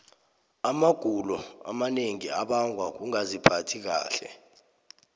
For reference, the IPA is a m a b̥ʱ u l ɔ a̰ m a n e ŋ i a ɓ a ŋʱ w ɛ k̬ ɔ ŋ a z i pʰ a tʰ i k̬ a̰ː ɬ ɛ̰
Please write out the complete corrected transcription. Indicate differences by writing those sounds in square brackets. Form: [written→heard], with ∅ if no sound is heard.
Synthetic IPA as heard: a m a [b̥ʱ→ɡ̥ʱ] u l ɔ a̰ m a n e ŋ i a ɓ a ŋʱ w [ɛ→a] k̬ [ɔ→u] ŋ a z i pʰ a tʰ i k̬ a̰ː ɬ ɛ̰

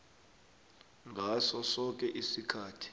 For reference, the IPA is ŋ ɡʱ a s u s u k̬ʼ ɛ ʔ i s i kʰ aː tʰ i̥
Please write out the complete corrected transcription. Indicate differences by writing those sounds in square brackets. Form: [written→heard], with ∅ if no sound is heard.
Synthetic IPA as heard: ŋ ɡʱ a s [u→ɔ] s [u→ɔ] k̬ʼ ɛ ʔ i s i kʰ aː tʰ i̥

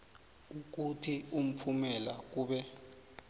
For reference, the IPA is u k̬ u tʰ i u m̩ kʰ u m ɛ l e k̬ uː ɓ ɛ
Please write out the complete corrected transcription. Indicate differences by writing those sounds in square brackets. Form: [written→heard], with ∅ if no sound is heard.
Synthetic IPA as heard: u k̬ u tʰ i u m̩ [kʰ→pʰ] u m ɛ l [e→a] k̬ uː ɓ ɛ

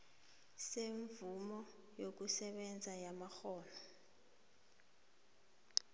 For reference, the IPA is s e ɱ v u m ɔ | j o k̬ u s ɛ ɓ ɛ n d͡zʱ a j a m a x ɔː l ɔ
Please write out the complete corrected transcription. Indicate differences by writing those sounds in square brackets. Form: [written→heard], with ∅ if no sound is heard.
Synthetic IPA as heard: s e ɱ v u m ɔ | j o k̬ u s ɛ ɓ ɛ n d͡zʱ a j a m a x ɔː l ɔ

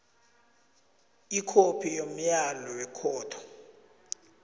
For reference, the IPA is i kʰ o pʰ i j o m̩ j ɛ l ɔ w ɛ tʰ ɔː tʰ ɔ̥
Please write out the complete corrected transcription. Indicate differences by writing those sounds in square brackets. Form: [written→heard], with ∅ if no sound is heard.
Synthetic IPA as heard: i kʰ o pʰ i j o m̩ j [ɛ→a] l ɔ w ɛ [tʰ→kʰ] ɔː tʰ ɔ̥

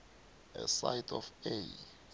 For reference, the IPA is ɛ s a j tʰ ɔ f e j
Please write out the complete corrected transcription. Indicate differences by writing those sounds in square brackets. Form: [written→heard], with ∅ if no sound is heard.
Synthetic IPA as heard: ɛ s a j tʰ ɔ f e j

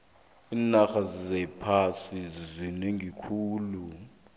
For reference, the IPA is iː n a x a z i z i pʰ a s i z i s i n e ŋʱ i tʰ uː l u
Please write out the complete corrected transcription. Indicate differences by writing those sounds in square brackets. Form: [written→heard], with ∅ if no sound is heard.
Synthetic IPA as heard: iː n a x a z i z [i→ɛ] pʰ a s i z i [s→z] i n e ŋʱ i [tʰ→kʰ] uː l u

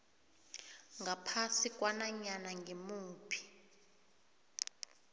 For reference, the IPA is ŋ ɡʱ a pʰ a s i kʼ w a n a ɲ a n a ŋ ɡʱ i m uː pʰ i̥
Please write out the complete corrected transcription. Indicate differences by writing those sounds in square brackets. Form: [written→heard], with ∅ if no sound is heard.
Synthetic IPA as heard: ŋ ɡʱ a pʰ a s i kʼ w a n a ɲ a n a ŋ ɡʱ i m uː pʰ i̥

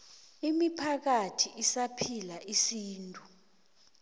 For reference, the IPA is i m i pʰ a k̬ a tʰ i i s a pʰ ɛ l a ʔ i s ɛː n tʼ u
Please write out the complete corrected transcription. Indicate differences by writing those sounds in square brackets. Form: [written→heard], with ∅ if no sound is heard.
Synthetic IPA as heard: i m i pʰ a k̬ a tʰ i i s a pʰ [ɛ→i] l a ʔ i s [ɛː→iː] n tʼ u

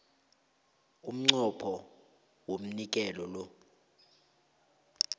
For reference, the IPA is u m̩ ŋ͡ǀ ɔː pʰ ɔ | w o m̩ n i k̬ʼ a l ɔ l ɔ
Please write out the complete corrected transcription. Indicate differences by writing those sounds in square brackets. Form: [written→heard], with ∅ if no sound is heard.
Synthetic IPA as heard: u m̩ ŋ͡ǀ [ɔː→ɔ] pʰ ɔ | w o m̩ n i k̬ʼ [a→ɛ] l ɔ l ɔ

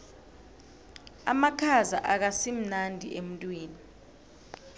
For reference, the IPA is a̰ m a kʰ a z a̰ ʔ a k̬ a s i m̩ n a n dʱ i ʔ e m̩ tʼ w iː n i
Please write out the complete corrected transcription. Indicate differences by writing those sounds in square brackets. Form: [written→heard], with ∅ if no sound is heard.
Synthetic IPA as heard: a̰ m a kʰ a z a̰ ʔ a k̬ a s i m̩ n a n dʱ i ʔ e m̩ tʼ w iː n i

